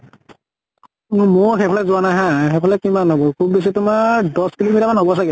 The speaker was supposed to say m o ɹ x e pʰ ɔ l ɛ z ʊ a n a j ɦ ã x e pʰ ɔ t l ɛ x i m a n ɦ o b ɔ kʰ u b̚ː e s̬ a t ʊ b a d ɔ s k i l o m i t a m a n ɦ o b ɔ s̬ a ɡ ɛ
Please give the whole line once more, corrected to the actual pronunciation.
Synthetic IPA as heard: m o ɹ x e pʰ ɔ l ɛ z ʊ a n a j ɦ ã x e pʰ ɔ l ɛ k i m a n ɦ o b ɔ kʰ u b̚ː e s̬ i t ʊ m a d ɔ s k i l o m i t a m a n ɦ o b ɔ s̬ a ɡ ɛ